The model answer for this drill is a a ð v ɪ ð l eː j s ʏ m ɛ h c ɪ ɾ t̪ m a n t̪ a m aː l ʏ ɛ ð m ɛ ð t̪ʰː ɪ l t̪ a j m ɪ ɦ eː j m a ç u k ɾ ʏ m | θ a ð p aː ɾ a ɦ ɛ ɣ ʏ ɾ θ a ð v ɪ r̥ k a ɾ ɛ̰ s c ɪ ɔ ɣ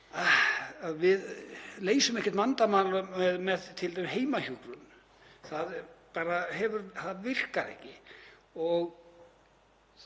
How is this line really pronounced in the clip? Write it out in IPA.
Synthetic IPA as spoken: a a ð v ɪ ð l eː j s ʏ m ɛ h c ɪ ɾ t̪ m a n t̪ a m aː l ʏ ɛ ð m ɛ ð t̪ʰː ɪ l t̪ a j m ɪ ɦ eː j m a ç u k ɾ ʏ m | θ a ð p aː ɾ a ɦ ɛ v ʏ ɾ θ a ð v ɪ r̥ k a ɾ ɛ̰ h c ɪ ɔ ɣ